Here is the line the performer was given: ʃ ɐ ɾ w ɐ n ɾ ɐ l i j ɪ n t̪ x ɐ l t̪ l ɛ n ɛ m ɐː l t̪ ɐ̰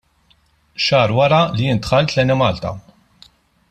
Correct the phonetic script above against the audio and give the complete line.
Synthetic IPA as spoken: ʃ ɐː ɾ w ɐ ɾ ɐ l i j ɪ n t̪ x ɐ l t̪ l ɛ n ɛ m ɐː l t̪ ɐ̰